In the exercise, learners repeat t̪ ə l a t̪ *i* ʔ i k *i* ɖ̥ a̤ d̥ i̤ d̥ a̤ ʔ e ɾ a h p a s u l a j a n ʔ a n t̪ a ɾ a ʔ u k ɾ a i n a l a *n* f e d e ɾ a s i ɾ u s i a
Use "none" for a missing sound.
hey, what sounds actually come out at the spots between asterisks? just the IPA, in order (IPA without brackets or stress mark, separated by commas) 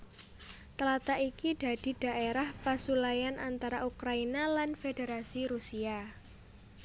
a, i, n